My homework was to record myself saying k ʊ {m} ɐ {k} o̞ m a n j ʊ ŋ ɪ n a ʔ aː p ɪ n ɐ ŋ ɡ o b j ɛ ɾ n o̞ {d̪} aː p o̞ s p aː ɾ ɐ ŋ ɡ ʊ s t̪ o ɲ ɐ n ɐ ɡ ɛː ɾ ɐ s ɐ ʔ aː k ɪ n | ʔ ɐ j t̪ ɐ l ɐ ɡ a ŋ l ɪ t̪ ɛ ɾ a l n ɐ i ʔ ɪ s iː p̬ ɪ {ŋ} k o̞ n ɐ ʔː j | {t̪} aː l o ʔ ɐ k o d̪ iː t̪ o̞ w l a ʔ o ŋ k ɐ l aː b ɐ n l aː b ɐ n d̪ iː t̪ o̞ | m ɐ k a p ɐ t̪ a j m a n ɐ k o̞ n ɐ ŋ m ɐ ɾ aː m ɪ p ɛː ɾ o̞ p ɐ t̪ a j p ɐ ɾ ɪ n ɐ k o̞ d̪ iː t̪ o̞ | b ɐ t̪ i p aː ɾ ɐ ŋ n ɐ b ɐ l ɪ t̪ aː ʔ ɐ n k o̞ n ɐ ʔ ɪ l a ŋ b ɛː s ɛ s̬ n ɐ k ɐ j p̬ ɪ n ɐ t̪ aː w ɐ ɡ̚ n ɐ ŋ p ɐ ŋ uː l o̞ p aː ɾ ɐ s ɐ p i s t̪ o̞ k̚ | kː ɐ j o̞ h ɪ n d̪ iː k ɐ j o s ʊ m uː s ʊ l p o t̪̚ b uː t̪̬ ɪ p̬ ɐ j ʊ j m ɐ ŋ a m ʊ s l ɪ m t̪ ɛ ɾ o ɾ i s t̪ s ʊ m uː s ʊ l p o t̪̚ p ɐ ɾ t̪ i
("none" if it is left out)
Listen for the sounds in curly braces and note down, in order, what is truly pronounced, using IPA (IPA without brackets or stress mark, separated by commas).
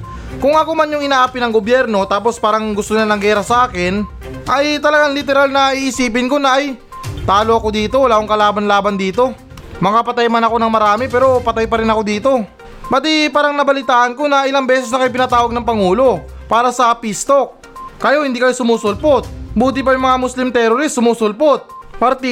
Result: ŋ, k, t̪, n, t̪